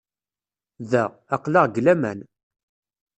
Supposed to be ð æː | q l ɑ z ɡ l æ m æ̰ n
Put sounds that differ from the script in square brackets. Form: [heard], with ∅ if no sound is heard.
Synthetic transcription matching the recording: ð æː | q l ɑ [ʁ] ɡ l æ m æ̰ n